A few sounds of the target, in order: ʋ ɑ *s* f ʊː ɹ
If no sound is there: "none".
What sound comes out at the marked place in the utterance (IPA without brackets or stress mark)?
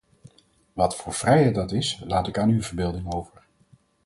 t